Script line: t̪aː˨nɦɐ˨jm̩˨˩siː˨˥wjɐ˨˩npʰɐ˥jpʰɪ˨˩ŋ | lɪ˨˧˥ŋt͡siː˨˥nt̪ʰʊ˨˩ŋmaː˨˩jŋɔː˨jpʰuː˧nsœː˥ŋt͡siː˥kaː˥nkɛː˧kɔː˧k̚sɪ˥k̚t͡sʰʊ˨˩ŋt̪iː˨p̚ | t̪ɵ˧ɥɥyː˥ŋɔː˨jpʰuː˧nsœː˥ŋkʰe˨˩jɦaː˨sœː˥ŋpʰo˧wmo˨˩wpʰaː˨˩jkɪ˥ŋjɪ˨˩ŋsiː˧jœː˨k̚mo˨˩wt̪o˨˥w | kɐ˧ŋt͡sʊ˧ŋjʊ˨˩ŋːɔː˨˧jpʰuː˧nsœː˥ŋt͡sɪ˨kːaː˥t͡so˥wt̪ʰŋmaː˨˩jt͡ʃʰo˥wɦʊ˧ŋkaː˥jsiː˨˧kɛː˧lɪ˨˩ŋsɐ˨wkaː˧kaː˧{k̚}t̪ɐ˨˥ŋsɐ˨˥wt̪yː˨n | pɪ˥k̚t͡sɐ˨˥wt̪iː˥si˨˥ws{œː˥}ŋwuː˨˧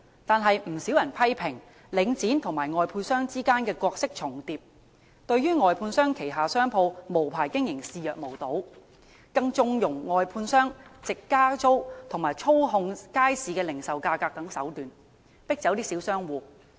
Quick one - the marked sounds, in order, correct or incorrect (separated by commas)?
correct, correct